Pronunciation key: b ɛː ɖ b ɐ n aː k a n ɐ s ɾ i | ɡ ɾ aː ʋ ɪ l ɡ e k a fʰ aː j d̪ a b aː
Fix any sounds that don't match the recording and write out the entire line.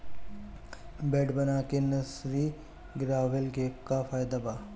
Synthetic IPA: b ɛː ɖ b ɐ n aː k e n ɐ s ɾ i | ɡ ɾ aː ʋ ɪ l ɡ e k a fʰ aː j d̪ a b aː